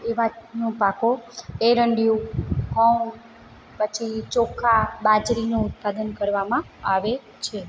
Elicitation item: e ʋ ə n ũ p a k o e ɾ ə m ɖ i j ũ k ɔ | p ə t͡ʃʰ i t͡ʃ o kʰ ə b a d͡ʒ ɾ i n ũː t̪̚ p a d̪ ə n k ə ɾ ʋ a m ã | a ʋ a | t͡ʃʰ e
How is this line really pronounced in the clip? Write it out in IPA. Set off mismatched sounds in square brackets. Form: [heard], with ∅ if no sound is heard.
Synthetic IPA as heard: e ʋ [a] n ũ p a k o e ɾ ə [ɳ] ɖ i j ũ k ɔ | p ə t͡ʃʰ i t͡ʃ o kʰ [a] b a d͡ʒ ɾ i n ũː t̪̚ p a d̪ ə n k ə ɾ ʋ a m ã | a ʋ [e] | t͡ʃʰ e

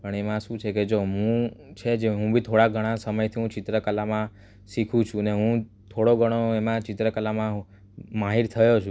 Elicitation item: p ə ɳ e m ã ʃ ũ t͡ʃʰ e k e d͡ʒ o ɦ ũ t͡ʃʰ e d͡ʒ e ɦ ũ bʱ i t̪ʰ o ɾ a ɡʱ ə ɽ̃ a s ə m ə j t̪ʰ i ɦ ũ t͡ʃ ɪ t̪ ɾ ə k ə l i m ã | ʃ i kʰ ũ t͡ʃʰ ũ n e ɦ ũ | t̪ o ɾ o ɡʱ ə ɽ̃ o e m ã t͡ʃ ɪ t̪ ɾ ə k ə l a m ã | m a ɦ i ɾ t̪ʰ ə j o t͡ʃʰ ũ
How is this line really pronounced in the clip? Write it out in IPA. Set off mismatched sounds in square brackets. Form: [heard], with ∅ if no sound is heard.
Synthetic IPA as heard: p ə ɳ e m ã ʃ ũ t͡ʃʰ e k e d͡ʒ o ɦ ũ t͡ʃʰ e d͡ʒ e ɦ ũ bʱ i t̪ʰ o [ɽ] a ɡʱ ə ɽ̃ a s ə m ə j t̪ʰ i ɦ ũ t͡ʃ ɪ t̪ ɾ ə k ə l [a] m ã | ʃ i kʰ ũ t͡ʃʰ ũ n e ɦ ũ | [t̪ʰ] o [ɽ] o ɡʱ ə ɽ̃ o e m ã t͡ʃ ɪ t̪ ɾ ə k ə l a m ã | m a ɦ i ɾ t̪ʰ ə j o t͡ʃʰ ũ

